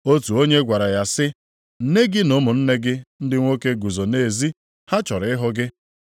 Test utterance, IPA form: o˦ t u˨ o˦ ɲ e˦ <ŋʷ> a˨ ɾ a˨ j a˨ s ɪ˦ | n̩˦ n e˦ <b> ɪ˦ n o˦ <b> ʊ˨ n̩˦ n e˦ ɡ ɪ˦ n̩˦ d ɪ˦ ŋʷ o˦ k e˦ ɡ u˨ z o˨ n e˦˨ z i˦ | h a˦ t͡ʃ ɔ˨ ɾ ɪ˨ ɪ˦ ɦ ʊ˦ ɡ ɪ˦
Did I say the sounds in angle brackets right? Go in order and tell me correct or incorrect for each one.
incorrect: ɡʷ, incorrect: ɡ, incorrect: m

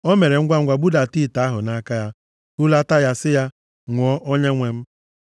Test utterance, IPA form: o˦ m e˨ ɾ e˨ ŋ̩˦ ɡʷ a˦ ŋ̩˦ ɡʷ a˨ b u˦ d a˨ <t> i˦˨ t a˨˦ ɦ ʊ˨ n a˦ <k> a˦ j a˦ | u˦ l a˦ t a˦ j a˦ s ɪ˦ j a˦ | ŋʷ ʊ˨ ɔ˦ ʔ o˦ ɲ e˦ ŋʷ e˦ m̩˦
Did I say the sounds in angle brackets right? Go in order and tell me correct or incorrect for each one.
correct, correct

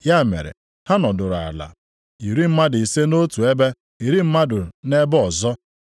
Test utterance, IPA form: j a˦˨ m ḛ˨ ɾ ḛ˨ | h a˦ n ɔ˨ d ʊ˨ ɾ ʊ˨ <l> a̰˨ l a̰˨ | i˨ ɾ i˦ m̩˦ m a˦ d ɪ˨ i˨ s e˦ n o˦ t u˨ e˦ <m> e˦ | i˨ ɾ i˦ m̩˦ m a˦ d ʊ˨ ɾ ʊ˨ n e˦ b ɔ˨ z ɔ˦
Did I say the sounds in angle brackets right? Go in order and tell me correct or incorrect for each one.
incorrect: none, incorrect: b

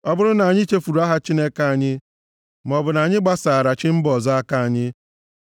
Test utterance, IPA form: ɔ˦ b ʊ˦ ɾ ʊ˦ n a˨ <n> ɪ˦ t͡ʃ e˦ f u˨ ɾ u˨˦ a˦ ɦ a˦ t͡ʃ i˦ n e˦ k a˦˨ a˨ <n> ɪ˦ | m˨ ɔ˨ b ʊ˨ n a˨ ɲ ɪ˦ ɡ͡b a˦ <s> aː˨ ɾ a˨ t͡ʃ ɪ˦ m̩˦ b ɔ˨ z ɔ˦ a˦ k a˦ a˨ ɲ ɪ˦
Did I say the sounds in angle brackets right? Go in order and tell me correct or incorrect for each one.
incorrect: ɲ, incorrect: ɲ, correct

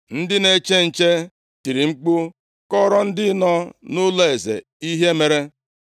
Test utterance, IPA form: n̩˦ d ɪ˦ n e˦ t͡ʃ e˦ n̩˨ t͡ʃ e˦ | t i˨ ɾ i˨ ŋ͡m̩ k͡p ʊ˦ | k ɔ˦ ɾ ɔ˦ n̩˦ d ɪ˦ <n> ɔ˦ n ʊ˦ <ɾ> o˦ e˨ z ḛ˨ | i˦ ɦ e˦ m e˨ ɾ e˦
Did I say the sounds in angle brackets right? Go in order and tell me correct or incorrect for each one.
correct, incorrect: l

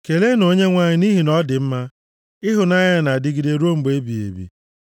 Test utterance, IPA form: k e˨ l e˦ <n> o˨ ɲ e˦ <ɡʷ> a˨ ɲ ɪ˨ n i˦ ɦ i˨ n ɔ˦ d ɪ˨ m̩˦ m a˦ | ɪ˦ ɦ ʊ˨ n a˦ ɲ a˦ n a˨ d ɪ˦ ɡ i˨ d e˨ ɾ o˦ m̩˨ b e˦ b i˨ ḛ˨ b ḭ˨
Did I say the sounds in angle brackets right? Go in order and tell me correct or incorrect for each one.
correct, incorrect: ŋʷ

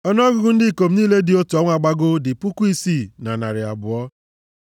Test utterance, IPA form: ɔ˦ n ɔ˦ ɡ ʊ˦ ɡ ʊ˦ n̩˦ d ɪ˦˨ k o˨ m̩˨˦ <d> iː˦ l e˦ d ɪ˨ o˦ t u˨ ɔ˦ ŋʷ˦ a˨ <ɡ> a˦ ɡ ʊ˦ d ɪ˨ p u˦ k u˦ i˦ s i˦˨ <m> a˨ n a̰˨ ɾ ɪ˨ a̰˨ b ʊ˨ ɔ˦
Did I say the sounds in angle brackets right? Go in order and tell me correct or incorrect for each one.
incorrect: n, incorrect: ɡ͡b, incorrect: n

